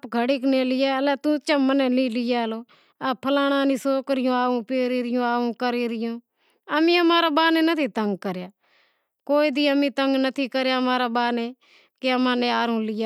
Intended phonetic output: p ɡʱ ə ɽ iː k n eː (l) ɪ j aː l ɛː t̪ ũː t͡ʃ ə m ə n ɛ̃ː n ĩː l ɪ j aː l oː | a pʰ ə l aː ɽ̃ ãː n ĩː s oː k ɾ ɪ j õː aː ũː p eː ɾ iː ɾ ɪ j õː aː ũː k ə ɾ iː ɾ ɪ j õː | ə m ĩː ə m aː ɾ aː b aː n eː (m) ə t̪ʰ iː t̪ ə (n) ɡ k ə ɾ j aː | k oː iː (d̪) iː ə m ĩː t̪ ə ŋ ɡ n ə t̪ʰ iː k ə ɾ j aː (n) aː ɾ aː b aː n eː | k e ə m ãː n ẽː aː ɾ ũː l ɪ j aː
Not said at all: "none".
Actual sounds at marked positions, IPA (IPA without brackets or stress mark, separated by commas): l, n, ŋ, d̪, m